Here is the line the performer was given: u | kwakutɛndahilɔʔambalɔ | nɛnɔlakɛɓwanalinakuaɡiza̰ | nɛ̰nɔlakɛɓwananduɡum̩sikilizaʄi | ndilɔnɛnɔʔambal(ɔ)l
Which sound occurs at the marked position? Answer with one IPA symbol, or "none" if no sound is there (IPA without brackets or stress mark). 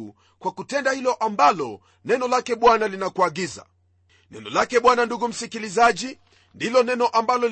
ɔ